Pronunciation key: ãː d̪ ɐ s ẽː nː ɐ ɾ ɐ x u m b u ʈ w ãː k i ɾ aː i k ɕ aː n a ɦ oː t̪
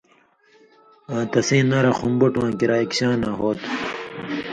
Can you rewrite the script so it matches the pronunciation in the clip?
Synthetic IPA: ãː t̪ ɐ s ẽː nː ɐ ɾ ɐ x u m b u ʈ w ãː k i ɾ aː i k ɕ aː n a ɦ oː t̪